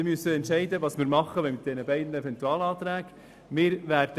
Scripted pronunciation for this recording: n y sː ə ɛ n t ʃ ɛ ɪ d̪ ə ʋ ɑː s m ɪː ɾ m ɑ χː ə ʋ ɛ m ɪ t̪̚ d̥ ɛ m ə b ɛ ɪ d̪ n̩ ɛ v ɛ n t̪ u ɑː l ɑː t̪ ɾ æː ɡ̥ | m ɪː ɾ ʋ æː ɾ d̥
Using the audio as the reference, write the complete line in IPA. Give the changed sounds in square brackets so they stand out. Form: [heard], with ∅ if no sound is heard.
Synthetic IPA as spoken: [m] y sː ə ɛ n t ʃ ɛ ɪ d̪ ə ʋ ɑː s m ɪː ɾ m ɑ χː ə ʋ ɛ m ɪ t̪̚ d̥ ɛ [n] ə b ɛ ɪ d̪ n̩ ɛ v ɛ n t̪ u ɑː l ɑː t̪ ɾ æː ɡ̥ | m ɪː ɾ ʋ æː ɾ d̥